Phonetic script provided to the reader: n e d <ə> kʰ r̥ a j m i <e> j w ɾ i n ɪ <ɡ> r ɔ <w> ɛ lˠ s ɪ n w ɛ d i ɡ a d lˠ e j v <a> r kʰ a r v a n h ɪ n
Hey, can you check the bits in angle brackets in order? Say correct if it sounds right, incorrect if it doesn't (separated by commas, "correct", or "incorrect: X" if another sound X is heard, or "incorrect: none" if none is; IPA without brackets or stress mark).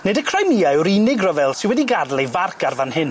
correct, incorrect: a, correct, incorrect: v, correct